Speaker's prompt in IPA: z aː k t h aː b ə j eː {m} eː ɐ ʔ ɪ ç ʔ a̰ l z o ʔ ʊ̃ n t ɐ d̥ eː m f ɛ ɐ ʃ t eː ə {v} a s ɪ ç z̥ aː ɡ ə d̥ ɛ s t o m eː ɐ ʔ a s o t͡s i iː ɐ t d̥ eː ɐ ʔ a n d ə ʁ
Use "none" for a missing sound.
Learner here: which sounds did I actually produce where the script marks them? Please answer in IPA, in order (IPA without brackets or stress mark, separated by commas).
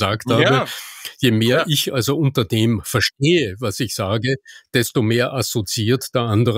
m, v